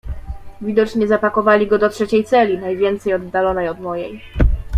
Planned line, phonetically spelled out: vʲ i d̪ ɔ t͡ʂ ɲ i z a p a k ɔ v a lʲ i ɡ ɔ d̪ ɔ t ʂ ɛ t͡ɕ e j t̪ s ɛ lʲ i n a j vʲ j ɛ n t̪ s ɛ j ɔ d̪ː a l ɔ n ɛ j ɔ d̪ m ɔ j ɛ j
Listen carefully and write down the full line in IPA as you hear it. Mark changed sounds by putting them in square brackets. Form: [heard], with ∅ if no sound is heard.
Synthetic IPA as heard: vʲ i d̪ ɔ t͡ʂ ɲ [ɛ] z a p a k ɔ v a lʲ i ɡ ɔ d̪ ɔ t ʂ ɛ t͡ɕ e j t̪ s ɛ lʲ i n a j vʲ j ɛ n t̪ s ɛ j ɔ d̪ː a l ɔ n ɛ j ɔ d̪ m ɔ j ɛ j